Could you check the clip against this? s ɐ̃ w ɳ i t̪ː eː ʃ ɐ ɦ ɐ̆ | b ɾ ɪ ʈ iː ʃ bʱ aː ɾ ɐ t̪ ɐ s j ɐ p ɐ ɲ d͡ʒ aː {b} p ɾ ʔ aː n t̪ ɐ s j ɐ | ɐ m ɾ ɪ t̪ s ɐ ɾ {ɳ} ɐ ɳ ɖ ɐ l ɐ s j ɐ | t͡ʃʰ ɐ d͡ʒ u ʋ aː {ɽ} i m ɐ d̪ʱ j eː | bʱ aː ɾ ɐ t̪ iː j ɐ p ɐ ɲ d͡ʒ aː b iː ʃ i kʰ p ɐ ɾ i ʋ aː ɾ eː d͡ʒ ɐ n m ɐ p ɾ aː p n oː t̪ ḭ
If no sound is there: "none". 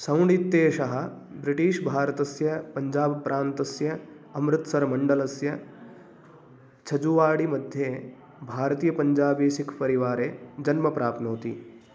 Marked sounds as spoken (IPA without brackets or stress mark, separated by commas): b, m, ɽ